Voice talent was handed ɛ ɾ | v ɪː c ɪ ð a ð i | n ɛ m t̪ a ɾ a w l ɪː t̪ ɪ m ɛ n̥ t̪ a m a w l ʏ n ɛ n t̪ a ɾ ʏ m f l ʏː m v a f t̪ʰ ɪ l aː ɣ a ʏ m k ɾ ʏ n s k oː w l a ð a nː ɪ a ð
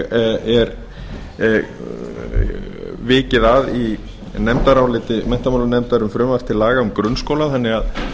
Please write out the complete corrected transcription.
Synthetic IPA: ɛ ɾ | v ɪː c ɪ ð a ð i | n ɛ m t̪ a ɾ a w l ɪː t̪ ɪ m ɛ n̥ t̪ a m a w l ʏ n ɛ m t̪ a ɾ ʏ m f ɾ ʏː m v a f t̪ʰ ɪ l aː ɣ a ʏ m k ɾ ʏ n s k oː w l a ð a nː ɪ a ð